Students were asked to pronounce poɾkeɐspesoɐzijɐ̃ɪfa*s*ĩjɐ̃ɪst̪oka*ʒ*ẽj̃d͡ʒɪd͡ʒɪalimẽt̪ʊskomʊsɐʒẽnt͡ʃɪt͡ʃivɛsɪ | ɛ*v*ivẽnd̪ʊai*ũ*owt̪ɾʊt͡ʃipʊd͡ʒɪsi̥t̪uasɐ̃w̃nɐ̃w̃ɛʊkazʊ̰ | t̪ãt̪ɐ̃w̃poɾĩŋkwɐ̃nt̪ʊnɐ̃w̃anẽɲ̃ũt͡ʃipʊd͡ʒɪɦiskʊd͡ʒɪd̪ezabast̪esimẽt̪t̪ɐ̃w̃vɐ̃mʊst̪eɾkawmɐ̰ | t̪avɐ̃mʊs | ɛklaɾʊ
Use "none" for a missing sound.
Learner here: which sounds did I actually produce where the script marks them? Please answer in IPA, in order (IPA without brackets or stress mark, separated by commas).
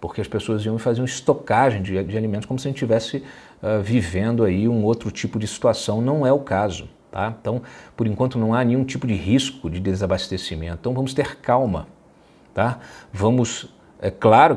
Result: z, ʒ, v, ũ